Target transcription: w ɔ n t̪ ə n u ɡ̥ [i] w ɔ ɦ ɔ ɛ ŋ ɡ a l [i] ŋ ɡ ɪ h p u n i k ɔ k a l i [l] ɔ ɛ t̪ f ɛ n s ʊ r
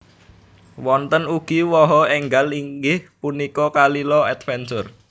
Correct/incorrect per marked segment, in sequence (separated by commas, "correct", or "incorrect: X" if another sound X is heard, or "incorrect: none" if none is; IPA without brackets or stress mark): correct, correct, correct